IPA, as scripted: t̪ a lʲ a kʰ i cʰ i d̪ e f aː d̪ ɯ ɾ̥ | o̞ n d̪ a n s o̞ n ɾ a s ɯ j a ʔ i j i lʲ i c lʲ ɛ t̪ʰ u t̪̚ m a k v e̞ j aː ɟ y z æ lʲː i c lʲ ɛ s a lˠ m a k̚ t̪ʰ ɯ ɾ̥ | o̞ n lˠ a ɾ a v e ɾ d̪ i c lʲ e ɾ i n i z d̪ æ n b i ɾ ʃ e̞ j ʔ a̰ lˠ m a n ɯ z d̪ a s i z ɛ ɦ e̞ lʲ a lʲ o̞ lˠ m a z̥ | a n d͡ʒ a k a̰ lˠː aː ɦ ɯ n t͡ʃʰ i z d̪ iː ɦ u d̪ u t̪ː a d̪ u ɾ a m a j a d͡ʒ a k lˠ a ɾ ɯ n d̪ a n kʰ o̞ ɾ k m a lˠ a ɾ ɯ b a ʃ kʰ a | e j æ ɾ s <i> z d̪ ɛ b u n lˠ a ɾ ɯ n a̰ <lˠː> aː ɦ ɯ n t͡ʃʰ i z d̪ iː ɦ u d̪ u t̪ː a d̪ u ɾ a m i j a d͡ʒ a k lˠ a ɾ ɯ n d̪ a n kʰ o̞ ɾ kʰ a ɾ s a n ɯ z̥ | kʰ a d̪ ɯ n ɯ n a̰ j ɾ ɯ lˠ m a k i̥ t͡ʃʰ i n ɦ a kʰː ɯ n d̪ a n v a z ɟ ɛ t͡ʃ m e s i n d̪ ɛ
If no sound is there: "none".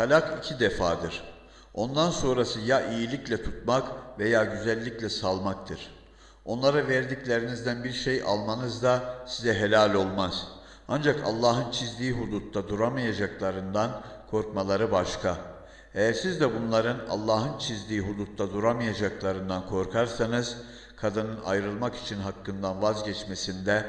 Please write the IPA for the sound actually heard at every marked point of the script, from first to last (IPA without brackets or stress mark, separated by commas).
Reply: i, lˠː